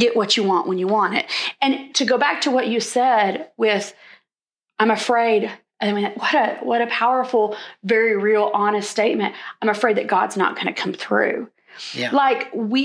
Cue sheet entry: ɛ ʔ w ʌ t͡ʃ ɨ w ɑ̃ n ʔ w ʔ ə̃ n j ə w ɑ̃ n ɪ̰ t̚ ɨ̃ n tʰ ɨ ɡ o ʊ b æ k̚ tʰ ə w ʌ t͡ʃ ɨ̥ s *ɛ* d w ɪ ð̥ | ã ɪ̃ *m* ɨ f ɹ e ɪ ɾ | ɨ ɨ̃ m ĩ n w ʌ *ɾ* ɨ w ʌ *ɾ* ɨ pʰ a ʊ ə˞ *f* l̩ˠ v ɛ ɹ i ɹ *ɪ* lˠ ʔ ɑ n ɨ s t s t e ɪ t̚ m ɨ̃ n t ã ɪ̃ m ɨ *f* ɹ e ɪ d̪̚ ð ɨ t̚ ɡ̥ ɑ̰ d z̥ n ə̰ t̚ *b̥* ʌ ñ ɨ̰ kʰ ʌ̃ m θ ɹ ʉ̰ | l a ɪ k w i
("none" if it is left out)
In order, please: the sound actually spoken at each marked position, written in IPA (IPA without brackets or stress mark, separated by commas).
ɛ, m, ɾ, ɾ, f, i, f, ɡ̥